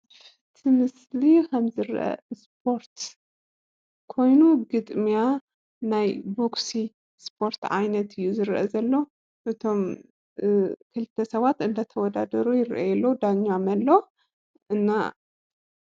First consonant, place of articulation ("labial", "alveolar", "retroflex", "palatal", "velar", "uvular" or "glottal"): labial